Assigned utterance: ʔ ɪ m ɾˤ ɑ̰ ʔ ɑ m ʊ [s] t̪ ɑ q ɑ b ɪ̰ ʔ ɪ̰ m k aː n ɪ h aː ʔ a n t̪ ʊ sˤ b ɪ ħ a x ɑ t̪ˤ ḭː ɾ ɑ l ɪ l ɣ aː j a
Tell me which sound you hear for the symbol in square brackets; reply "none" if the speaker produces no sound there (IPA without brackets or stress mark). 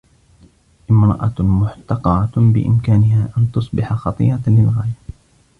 ħ